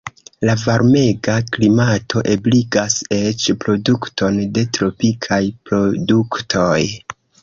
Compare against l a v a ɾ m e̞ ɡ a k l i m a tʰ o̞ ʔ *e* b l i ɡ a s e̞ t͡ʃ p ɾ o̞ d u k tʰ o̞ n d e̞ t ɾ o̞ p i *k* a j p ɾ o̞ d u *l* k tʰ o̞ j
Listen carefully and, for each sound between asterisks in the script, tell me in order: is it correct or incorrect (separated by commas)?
correct, incorrect, incorrect